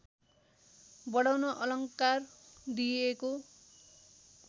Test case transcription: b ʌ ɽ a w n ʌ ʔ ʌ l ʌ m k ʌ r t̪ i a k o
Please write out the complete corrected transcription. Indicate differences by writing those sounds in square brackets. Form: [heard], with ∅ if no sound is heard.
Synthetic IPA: b ʌ ɽ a w n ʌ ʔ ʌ l ʌ [ŋ] k [a] r [d̪] i [e] k o